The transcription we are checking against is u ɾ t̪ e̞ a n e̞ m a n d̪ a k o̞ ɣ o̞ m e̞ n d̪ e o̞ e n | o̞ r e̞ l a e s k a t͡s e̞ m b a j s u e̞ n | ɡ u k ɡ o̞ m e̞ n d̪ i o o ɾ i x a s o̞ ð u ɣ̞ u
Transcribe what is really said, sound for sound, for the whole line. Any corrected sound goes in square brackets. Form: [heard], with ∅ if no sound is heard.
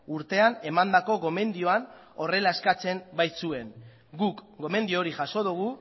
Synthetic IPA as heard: u ɾ t̪ e̞ a n e̞ m a n d̪ a k o̞ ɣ o̞ m e̞ n d̪ [i] o̞ [a] n | o̞ r e̞ l a e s k a t͡s e̞ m b a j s u e̞ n | ɡ u k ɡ o̞ m e̞ n d̪ i o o ɾ i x a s o̞ ð u ɣ̞ u

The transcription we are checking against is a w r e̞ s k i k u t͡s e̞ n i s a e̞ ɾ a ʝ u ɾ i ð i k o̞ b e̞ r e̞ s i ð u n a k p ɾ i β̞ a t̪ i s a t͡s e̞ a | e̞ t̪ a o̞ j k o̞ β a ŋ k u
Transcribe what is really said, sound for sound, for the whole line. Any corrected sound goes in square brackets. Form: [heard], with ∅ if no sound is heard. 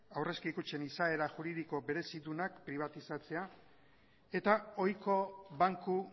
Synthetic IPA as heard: a w r e̞ s k i k u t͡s e̞ n i s a e̞ ɾ a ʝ u ɾ i ð i k o̞ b e̞ [ɾ] e̞ s i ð u n a k p ɾ i β̞ a t̪ i s a t͡s e̞ a | e̞ t̪ a o̞ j k o̞ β a ŋ k u

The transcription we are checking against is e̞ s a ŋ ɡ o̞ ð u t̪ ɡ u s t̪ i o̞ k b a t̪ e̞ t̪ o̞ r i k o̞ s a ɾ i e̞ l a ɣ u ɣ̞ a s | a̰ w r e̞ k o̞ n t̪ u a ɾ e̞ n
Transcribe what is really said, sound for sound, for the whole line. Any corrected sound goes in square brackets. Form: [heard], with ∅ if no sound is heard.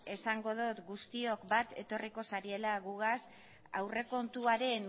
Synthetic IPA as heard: e̞ s a ŋ ɡ o̞ ð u t̪ ɡ u s t̪ i o̞ k b a t̪ e̞ t̪ o̞ r i k o̞ s a ɾ i e̞ l a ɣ u ɣ̞ a s | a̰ w r e̞ k o̞ n t̪ u a ɾ e̞ n

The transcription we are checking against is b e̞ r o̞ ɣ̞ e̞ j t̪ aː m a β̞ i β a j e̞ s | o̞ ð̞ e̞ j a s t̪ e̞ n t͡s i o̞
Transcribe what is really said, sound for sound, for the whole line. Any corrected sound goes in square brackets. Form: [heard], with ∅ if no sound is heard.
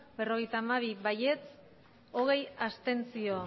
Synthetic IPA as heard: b e̞ r o̞ ɣ̞ e̞ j t̪ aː m a β̞ i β a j e̞ [t͡s] | o̞ [ɣ̞] e̞ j a s t̪ e̞ n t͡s i o̞

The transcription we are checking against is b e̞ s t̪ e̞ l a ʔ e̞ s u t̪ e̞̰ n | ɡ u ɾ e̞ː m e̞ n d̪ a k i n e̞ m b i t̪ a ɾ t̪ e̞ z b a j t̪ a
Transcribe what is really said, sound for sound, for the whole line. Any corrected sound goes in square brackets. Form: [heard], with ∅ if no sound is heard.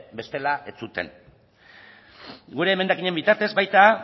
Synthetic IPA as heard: b e̞ s t̪ e̞ l a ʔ e̞ [t͡s] u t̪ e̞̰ n | ɡ u ɾ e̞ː m e̞ n d̪ a k i [ɲ] e̞ m b i t̪ a ɾ t̪ e̞ z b a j t̪ a

